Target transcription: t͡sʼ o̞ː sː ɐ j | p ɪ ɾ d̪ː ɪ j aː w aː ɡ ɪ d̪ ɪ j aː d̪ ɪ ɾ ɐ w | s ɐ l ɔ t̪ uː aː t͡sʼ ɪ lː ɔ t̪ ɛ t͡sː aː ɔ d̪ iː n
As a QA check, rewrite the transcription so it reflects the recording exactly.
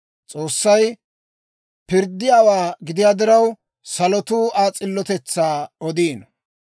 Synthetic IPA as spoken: t͡sʼ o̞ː sː ɐ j | p ɪ ɾ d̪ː ɪ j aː w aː ɡ ɪ d̪ ɪ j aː d̪ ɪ ɾ ɐ w | s ɐ l ɔ t̪ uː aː t͡sʼ ɪ lː ɔ t̪ ɛ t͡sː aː ɔ d̪ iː n